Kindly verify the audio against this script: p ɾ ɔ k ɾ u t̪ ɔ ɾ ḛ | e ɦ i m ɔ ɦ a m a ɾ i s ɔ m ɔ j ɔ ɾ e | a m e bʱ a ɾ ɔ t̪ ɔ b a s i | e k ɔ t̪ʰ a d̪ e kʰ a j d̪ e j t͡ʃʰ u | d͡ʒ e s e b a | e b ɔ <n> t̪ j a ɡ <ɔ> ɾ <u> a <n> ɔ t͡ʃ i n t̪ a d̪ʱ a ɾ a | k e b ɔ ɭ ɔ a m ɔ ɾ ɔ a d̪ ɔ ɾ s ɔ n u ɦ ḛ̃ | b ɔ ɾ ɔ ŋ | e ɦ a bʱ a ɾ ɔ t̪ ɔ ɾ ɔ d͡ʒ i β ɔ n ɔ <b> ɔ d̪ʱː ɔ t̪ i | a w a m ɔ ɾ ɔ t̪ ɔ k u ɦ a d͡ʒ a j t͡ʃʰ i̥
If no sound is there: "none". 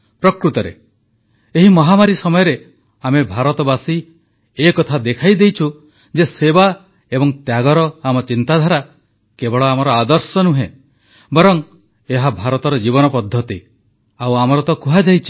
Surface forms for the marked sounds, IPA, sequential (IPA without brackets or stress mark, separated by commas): ŋ, ɔ, ɔ, m, p